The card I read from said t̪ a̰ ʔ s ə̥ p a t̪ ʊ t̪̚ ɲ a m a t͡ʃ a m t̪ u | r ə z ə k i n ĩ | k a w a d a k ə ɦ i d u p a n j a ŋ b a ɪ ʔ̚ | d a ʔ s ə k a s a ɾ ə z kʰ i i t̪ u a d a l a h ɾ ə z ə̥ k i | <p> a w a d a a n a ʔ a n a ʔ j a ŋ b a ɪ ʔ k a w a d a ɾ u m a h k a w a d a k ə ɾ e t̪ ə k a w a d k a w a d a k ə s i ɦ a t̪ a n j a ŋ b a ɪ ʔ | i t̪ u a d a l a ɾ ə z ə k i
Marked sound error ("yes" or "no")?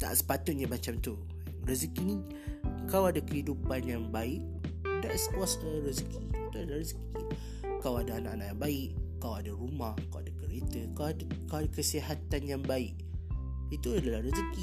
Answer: yes